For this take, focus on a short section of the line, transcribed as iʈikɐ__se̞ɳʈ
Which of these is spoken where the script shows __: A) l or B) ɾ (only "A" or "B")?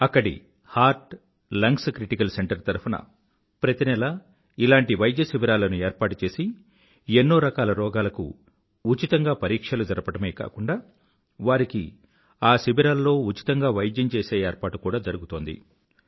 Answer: A